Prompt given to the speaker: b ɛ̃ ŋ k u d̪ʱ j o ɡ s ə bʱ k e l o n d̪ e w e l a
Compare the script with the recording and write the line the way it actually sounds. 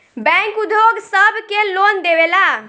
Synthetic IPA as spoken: b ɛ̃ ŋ k u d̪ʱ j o ɡ s ə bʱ k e l o n d̪ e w e l a